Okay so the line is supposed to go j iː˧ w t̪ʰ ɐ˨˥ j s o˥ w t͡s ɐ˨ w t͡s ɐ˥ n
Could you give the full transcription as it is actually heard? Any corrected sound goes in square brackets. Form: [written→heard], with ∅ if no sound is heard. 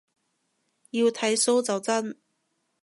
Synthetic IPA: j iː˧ w t̪ʰ ɐ˨˥ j s o˥ w t͡s ɐ˨ w t͡s ɐ˥ n